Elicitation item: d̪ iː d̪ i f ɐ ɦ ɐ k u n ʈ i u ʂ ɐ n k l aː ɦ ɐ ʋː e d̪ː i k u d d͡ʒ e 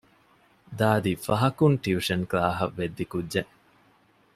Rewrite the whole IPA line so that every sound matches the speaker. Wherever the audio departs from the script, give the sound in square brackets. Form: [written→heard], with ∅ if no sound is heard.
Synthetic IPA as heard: d̪ [iː→aː] d̪ i f ɐ ɦ ɐ k u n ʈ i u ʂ ɐ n k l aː ɦ ɐ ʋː e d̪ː i k u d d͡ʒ e